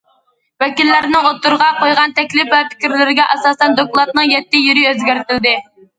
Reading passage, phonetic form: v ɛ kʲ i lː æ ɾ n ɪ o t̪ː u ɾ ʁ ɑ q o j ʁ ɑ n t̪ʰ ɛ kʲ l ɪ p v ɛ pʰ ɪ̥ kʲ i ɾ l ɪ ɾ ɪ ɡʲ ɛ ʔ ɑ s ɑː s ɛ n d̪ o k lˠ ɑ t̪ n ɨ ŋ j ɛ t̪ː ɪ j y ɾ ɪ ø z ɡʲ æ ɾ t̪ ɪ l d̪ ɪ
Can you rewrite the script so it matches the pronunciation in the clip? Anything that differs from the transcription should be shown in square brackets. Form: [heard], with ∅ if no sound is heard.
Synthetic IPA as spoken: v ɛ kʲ i lː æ ɾ n ɪ o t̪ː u ɾ ʁ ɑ q o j ʁ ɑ n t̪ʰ ɛ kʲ l ɪ p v ɛ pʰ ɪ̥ kʲ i ɾ l ɪ ɾ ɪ ɡʲ ɛ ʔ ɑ s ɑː s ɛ n d̪ o k lˠ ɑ t̪ n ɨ ŋ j ɛ t̪ː ɪ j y ɾ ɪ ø z ɡʲ æ ɾ t̪ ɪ l d̪ ɪ